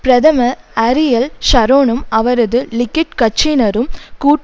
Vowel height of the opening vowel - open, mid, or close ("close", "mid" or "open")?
open